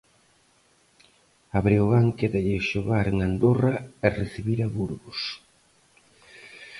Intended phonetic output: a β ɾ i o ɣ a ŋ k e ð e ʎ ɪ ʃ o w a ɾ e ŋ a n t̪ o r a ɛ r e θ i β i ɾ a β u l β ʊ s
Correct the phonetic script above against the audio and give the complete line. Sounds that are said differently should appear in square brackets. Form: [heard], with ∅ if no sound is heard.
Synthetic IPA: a β ɾ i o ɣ a ŋ k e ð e ʎ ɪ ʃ o [ɣ] a ɾ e ŋ a n [d̪] o r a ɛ r e θ i β i ɾ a β u [ɾ] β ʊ s